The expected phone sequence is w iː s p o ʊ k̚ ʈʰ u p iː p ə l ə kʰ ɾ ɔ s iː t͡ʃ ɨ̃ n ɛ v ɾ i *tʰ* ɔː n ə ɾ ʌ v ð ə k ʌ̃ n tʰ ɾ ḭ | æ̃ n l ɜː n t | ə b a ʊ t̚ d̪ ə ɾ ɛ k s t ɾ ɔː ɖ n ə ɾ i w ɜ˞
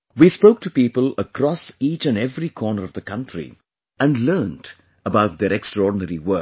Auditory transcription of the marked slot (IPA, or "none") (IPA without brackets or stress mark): kʰ